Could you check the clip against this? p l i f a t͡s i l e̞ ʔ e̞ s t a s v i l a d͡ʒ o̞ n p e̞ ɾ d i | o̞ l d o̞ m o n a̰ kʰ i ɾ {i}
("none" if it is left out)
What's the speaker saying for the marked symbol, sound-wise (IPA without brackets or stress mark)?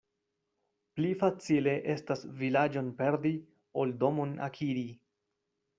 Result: i